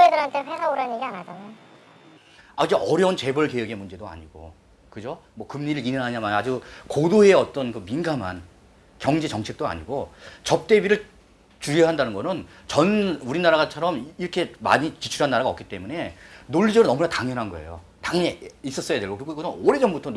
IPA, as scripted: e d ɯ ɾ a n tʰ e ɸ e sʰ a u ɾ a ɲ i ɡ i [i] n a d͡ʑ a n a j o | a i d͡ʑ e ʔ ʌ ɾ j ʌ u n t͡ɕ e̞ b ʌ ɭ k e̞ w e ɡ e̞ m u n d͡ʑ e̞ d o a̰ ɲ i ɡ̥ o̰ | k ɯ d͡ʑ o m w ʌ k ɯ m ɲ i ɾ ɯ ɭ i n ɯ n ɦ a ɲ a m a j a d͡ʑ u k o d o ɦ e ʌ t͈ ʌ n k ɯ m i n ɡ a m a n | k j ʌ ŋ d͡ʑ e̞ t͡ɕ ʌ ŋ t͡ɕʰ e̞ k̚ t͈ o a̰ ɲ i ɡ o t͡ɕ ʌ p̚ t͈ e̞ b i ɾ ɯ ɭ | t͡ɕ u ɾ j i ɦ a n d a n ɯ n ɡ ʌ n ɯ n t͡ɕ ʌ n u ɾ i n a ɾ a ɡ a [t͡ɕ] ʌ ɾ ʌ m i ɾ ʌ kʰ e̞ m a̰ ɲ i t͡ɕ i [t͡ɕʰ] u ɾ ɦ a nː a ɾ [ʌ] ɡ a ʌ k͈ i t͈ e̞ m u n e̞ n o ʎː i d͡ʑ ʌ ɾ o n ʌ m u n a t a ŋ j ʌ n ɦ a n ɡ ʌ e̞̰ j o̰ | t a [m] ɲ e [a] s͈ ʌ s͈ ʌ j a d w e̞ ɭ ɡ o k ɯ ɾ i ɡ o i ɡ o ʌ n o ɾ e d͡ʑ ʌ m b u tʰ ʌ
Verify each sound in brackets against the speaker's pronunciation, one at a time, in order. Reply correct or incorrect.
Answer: incorrect: a, incorrect: t͡ɕʰ, correct, incorrect: a, incorrect: ŋ, incorrect: i

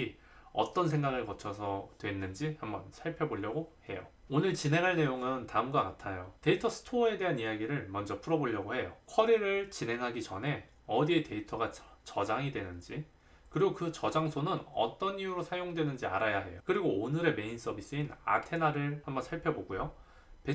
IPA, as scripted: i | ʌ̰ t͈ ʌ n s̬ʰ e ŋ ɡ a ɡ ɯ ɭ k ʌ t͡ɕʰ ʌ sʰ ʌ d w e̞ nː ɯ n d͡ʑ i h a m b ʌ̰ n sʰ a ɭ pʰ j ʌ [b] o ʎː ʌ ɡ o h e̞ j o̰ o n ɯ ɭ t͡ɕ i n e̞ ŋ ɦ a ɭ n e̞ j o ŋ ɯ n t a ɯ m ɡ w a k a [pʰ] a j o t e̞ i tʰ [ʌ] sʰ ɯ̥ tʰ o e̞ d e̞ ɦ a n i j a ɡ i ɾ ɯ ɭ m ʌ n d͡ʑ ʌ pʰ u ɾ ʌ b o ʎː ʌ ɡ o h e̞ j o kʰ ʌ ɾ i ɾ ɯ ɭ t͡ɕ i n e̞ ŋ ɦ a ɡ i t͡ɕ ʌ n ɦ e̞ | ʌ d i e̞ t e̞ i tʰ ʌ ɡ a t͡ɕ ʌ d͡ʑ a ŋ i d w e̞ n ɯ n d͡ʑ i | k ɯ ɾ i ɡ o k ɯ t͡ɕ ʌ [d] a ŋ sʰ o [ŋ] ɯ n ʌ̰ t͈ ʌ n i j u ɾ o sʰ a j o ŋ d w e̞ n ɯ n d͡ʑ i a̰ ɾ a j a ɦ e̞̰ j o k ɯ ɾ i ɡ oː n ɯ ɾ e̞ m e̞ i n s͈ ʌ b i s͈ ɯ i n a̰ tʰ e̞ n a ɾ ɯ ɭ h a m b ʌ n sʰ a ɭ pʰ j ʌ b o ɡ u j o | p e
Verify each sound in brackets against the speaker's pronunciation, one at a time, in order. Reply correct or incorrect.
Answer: correct, incorrect: tʰ, correct, incorrect: d͡ʑ, incorrect: n

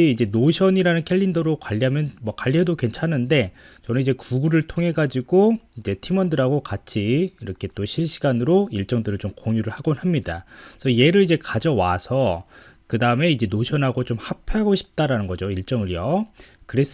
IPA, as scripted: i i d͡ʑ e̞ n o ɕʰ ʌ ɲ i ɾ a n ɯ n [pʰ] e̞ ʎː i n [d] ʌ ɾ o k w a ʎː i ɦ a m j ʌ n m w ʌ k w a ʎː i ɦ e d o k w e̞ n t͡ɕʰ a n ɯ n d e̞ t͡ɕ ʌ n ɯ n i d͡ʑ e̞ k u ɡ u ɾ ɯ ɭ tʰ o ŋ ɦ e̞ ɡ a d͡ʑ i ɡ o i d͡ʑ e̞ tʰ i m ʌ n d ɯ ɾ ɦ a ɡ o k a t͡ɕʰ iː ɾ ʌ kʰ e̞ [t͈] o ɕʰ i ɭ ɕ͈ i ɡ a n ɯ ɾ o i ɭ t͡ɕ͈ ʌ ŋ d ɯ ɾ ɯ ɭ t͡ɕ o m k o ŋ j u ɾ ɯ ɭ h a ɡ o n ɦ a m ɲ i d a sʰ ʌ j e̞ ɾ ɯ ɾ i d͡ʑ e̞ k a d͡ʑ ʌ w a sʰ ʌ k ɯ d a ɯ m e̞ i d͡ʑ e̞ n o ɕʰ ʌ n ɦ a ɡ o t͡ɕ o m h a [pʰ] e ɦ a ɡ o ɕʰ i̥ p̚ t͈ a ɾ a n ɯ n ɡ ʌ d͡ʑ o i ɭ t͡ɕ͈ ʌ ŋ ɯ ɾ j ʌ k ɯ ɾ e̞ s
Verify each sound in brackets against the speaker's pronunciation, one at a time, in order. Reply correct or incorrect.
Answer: incorrect: kʰ, correct, correct, correct

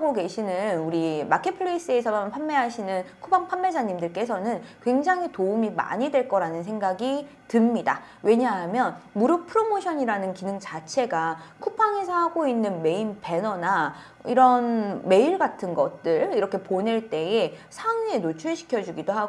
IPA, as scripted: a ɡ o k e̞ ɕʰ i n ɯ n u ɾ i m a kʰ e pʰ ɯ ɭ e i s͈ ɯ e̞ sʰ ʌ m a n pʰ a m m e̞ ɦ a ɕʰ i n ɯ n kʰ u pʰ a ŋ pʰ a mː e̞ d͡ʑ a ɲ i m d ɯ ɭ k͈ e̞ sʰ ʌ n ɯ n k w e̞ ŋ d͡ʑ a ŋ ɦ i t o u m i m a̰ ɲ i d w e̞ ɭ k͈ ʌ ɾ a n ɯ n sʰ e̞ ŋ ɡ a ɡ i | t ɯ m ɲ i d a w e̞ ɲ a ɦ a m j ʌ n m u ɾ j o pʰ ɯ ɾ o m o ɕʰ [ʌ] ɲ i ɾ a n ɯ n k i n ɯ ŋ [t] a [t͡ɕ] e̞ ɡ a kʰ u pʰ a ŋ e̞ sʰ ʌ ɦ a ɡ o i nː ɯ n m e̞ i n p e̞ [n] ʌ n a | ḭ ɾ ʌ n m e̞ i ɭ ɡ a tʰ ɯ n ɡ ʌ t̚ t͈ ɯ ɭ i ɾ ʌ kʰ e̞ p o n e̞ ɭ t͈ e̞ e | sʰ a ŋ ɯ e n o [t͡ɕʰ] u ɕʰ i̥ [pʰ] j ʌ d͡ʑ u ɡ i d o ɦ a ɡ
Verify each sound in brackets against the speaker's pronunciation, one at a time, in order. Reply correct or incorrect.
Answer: correct, incorrect: t͡ɕ, incorrect: t͡ɕʰ, correct, correct, incorrect: kʰ

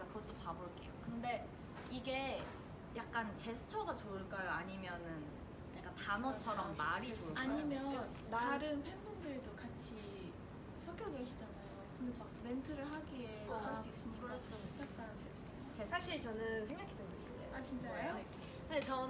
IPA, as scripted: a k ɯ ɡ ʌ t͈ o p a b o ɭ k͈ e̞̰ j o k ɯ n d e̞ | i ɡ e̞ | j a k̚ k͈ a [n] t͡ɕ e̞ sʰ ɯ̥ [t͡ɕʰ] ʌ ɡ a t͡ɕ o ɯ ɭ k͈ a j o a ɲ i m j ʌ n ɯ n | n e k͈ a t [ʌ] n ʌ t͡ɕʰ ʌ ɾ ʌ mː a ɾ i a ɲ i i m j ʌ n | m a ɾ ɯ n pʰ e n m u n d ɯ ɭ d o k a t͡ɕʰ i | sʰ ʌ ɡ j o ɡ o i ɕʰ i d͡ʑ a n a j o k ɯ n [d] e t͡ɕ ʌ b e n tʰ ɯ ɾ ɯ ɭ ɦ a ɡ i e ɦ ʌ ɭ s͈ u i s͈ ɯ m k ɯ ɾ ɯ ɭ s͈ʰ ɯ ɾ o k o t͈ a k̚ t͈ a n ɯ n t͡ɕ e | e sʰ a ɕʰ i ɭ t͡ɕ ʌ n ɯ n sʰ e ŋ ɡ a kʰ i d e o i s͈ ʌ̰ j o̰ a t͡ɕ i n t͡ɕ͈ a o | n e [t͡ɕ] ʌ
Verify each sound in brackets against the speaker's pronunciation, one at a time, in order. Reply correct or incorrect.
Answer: correct, correct, incorrect: a, correct, correct

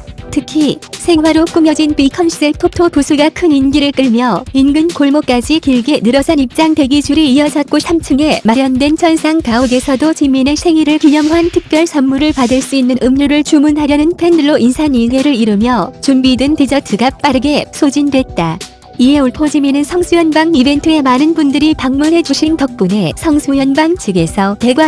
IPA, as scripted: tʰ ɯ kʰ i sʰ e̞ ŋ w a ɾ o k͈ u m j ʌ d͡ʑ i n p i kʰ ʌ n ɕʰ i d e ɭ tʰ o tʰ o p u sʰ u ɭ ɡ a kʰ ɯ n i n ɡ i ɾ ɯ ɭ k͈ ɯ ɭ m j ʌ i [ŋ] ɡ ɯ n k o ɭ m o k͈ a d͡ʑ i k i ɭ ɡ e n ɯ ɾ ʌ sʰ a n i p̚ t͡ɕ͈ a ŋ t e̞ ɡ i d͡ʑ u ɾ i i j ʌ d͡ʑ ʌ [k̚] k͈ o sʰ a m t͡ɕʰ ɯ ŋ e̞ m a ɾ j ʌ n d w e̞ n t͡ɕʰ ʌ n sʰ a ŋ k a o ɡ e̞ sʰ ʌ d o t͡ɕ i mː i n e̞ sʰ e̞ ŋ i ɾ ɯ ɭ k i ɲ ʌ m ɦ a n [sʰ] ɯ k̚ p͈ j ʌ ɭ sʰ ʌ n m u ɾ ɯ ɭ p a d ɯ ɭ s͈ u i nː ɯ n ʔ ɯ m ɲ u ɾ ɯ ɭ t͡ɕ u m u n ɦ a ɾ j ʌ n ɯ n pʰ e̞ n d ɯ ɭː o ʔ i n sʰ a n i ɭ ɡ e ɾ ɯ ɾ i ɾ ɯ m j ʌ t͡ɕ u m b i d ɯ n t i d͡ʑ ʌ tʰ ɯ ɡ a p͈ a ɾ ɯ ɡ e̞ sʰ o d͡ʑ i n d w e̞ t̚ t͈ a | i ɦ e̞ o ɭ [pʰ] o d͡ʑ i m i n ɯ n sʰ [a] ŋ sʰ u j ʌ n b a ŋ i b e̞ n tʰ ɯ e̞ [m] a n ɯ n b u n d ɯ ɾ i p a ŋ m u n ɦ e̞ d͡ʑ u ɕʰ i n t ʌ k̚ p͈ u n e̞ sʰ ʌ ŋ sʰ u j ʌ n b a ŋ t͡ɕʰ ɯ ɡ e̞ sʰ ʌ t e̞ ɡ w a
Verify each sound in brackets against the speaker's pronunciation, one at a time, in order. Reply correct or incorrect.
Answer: incorrect: n, incorrect: t̚, incorrect: tʰ, correct, incorrect: ʌ, correct

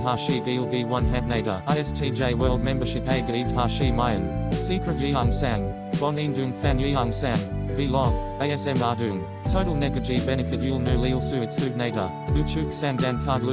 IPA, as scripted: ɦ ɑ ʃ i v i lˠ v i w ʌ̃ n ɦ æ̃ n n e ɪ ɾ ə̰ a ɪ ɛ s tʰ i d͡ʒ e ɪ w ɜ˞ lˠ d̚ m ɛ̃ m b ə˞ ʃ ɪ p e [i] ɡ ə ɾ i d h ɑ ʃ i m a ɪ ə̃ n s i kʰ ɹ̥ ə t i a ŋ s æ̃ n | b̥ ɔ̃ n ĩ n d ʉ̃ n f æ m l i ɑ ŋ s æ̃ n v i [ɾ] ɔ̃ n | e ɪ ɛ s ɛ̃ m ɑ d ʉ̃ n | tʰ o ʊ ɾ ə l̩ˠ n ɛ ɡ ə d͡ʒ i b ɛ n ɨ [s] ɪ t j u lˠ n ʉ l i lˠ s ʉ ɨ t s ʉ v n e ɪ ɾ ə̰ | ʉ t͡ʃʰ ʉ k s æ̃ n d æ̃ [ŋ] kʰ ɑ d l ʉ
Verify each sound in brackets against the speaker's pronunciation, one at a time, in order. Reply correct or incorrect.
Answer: incorrect: ɪ, incorrect: l, incorrect: f, incorrect: n

